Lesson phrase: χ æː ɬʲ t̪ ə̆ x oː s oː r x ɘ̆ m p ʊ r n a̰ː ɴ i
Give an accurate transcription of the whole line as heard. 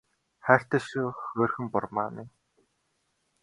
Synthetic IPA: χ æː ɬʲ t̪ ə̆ ʃ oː x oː r x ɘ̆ m p ʊ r m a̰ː n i